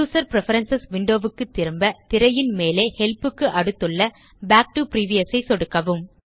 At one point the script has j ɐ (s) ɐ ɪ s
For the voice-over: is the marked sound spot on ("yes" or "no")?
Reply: yes